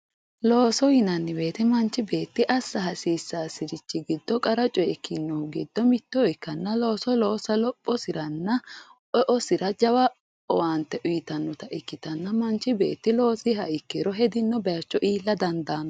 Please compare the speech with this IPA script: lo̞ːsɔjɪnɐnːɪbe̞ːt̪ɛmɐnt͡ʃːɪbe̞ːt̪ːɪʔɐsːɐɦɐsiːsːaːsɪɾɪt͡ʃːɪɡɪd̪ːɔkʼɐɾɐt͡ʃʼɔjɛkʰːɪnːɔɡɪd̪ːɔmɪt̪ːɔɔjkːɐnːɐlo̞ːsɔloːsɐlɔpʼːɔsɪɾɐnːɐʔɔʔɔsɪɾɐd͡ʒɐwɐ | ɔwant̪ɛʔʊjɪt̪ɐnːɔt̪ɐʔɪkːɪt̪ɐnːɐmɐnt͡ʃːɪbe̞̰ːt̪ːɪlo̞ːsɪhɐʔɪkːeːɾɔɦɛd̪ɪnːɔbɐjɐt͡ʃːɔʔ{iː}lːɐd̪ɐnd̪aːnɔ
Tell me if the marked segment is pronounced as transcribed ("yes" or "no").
yes